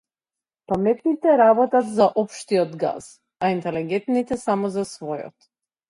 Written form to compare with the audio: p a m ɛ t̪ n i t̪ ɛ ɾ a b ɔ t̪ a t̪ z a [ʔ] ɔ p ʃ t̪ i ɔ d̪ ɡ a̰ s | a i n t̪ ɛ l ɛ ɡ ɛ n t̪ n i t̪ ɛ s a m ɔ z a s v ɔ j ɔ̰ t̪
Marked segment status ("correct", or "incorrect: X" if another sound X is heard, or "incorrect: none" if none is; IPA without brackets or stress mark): correct